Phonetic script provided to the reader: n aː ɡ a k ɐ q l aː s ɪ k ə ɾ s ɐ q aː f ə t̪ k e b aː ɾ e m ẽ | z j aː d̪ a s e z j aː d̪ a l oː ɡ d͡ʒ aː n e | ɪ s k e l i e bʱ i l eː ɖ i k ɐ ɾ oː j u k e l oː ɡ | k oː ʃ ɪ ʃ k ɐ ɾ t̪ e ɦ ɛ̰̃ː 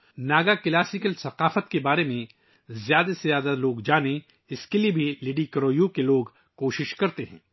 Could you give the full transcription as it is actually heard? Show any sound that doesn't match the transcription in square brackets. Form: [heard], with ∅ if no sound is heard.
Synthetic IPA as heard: n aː ɡ a k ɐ [∅] l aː s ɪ k ə [l] s ɐ q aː f ə t̪ k e b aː ɾ e m ẽ | z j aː d̪ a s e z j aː d̪ a l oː ɡ d͡ʒ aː n e | ɪ s k e l i e bʱ i l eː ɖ i k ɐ ɾ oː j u k e l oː ɡ | k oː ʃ ɪ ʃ k ɐ ɾ t̪ e ɦ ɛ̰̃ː